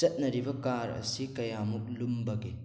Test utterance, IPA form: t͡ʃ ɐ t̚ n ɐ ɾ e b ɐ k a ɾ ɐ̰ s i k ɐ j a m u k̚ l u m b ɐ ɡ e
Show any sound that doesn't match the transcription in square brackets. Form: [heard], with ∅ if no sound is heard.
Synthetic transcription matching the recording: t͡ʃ ɐ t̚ n ɐ ɾ [i] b ɐ k a ɾ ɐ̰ s i k ɐ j a m u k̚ l u m b ɐ ɡ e